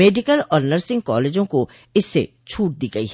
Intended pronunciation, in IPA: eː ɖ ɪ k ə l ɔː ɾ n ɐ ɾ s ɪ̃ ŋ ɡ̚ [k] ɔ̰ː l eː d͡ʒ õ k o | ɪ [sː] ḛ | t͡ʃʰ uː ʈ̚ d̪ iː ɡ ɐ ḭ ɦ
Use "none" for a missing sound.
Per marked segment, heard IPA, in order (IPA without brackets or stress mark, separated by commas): k, sː